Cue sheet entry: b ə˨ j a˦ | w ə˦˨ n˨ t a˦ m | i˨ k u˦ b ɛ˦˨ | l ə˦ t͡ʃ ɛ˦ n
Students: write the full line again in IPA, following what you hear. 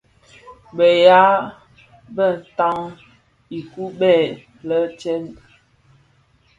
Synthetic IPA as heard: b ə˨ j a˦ | b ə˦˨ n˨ t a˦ ŋ | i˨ k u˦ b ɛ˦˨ | l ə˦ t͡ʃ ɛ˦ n